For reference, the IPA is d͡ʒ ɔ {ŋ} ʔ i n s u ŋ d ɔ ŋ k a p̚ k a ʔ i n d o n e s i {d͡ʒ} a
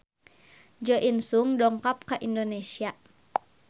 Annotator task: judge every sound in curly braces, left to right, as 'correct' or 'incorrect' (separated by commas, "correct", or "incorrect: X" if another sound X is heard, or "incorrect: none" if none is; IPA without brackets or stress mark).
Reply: incorrect: none, incorrect: none